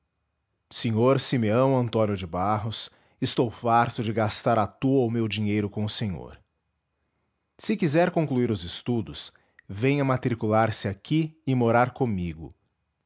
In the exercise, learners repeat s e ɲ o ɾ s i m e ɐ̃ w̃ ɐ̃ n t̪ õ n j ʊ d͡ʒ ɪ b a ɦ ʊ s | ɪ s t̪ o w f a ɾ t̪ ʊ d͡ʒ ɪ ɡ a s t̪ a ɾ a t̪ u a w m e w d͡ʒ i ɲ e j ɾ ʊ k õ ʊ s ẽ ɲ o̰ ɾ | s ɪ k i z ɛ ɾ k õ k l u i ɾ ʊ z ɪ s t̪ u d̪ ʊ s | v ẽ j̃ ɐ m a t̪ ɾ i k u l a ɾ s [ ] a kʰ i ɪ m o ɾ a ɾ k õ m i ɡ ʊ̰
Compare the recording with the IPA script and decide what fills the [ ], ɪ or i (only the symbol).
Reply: ɪ